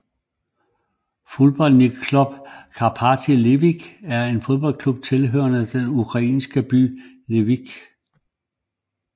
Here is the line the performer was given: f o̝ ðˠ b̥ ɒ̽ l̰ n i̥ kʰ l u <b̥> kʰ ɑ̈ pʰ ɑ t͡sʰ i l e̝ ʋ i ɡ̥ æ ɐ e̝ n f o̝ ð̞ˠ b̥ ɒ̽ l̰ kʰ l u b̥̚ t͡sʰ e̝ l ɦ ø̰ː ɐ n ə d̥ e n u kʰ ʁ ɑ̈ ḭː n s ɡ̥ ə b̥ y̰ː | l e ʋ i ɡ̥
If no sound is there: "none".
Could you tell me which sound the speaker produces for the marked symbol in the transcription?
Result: b̥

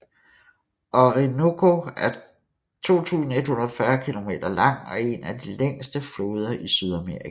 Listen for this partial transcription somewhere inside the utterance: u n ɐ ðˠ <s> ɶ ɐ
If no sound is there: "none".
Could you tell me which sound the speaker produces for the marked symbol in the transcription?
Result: f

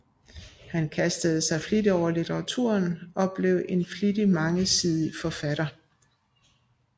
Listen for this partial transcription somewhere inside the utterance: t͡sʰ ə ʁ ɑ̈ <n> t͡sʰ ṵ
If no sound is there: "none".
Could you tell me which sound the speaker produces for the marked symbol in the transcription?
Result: none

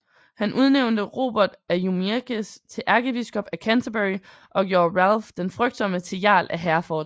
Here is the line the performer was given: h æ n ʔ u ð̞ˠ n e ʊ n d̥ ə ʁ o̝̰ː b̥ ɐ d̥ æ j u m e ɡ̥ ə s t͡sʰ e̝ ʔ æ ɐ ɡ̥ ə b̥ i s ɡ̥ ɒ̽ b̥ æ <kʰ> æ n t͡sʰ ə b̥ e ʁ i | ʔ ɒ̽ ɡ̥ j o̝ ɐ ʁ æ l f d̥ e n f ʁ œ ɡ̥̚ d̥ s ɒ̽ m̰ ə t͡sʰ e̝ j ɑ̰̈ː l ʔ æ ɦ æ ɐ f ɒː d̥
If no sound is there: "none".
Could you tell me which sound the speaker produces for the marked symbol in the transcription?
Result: kʰ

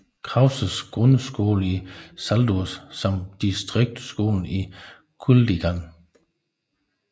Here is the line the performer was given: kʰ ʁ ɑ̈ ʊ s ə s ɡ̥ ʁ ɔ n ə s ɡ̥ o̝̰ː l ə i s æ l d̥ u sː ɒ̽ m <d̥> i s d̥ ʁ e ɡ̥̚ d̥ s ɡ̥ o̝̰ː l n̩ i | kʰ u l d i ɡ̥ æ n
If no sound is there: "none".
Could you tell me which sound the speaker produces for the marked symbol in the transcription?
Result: d̥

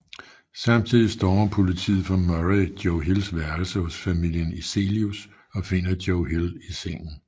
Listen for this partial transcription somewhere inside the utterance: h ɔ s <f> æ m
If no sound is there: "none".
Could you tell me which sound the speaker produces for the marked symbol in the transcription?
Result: f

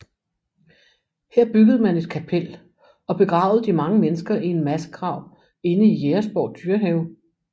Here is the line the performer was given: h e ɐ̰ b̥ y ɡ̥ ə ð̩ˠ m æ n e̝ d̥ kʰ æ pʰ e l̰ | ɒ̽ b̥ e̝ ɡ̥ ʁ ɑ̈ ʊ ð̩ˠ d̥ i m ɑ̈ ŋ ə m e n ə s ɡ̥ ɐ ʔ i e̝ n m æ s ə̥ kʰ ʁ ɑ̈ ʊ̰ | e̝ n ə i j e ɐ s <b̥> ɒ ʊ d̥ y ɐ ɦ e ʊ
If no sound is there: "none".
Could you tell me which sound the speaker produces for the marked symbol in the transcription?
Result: b̥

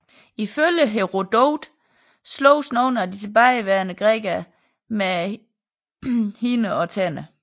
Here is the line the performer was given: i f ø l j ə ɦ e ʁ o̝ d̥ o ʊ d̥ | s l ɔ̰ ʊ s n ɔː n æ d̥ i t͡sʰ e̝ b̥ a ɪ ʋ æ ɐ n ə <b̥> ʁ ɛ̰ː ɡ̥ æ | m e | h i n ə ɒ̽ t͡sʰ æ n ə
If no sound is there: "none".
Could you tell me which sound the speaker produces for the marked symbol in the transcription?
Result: ɡ̥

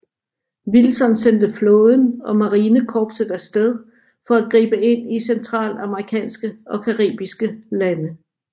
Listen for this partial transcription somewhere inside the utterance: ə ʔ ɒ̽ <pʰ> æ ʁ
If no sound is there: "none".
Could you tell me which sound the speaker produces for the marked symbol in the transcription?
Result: kʰ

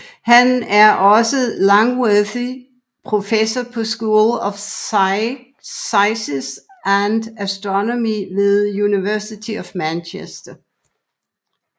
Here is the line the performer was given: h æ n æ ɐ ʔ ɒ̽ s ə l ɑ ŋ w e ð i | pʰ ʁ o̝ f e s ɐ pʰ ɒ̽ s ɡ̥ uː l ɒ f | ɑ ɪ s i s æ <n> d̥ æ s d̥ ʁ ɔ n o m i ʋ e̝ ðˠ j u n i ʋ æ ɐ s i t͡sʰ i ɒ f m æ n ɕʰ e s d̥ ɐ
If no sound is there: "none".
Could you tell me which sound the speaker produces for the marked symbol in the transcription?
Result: n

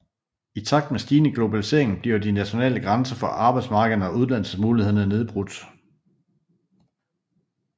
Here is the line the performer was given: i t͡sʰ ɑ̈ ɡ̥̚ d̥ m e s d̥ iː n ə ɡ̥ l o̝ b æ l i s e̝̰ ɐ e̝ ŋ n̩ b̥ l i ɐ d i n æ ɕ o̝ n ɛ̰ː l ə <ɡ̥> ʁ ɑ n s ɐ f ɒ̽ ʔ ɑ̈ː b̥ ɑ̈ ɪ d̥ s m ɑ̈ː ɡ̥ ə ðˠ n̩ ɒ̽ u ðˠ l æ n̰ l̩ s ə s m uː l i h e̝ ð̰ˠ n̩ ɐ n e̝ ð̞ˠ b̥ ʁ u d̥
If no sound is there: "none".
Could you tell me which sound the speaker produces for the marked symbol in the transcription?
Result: ɡ̥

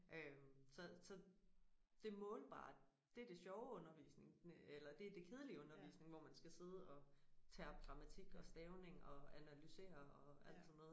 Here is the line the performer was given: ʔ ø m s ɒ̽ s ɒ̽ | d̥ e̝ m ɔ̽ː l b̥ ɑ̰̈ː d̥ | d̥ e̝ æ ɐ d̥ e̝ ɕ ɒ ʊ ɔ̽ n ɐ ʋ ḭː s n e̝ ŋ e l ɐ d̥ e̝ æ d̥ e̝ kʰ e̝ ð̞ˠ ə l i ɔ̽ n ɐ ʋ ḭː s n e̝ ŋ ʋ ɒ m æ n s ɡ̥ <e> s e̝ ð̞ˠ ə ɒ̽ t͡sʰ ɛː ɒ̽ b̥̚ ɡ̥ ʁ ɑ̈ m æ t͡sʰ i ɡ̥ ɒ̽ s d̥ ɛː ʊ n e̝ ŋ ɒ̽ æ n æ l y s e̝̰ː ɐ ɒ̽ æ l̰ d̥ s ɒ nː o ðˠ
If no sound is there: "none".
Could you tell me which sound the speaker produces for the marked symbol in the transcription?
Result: æ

